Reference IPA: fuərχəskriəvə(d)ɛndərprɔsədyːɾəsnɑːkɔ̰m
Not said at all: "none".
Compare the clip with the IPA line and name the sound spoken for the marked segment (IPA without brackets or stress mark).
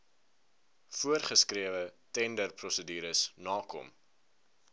t